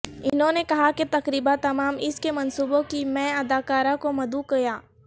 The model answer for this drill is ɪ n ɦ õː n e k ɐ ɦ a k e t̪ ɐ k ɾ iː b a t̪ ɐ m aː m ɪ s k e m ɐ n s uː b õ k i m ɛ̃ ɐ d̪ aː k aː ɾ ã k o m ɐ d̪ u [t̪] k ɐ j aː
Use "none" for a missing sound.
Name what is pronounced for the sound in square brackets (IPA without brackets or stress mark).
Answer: none